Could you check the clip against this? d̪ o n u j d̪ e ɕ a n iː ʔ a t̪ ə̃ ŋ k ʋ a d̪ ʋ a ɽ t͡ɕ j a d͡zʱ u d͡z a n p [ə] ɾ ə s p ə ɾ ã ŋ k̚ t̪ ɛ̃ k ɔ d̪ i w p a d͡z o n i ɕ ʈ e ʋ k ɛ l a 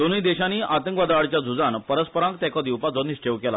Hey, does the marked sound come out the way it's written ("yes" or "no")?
yes